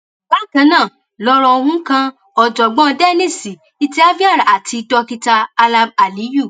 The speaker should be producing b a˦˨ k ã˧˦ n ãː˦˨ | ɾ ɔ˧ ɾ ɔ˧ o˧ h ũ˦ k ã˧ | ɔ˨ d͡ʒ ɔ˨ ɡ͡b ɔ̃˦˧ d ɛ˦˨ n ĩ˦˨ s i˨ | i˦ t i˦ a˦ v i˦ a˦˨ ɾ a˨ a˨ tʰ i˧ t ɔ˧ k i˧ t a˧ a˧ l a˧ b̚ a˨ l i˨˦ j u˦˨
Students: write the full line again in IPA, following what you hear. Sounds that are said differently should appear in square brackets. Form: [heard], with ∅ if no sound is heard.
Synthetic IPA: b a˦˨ k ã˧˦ n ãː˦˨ | [l] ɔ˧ ɾ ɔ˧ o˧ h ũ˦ k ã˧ | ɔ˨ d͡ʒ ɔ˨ ɡ͡b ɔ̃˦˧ d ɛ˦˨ n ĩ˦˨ s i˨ | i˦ t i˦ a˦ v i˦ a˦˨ ɾ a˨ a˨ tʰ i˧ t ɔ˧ k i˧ t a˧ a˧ l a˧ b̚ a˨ l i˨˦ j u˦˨